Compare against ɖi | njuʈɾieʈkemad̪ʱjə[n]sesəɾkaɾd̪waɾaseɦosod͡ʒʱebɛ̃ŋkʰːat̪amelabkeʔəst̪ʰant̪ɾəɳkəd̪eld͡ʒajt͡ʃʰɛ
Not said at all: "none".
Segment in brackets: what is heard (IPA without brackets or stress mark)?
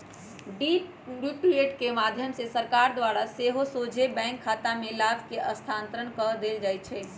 m